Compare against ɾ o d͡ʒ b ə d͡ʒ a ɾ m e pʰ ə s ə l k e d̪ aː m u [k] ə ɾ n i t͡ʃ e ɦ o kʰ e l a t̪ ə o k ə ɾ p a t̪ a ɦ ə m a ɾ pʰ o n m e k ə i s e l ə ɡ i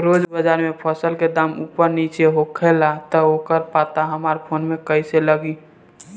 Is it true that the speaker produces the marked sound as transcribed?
no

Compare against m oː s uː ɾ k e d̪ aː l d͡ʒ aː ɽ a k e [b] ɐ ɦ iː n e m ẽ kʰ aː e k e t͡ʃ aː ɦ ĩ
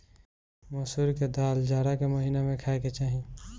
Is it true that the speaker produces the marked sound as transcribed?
no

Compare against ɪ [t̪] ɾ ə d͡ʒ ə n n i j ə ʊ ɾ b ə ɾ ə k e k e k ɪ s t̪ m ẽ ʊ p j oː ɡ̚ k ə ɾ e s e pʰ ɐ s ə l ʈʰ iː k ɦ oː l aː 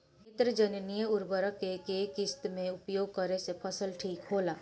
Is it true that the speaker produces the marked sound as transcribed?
yes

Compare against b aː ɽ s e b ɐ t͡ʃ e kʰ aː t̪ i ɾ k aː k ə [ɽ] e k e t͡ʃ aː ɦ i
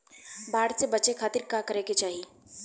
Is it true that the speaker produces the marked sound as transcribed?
no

